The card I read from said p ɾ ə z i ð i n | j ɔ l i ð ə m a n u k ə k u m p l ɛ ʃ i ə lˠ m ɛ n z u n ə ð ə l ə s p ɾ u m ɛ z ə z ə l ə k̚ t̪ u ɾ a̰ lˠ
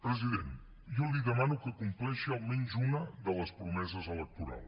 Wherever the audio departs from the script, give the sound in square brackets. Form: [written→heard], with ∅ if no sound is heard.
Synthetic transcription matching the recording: p ɾ ə z i ð [i→e] n | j ɔ l i ð ə m a n u k ə k u m p l ɛ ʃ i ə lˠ m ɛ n z u n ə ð ə l ə s p ɾ u m ɛ z ə z ə l ə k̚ t̪ u ɾ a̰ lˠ